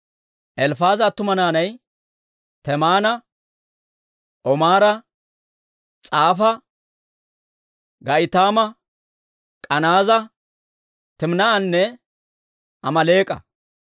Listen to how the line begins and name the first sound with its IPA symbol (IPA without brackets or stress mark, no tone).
ʔ